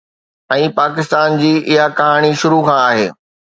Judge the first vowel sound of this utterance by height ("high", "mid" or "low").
mid